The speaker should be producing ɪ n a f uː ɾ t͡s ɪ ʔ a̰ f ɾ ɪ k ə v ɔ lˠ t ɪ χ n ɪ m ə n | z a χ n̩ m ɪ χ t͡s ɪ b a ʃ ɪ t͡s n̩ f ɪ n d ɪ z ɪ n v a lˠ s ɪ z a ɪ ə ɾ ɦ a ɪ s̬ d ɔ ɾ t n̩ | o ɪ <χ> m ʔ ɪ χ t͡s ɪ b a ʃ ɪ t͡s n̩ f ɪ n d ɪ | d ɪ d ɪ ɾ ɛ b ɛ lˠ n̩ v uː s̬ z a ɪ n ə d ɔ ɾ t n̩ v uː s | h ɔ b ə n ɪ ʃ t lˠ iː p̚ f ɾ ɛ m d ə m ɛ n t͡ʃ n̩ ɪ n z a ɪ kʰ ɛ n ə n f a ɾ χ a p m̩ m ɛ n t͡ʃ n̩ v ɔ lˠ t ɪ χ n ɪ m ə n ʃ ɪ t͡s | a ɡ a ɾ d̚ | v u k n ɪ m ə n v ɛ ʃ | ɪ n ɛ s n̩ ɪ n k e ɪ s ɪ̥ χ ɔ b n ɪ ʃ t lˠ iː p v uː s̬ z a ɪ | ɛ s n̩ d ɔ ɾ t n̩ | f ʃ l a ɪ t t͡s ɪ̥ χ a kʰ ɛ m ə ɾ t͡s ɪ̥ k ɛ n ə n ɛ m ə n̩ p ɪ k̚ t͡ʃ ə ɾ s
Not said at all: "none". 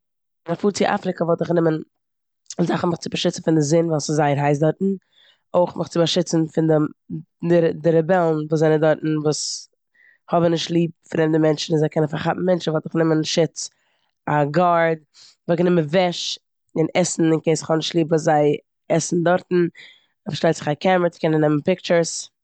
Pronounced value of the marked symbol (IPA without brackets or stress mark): χ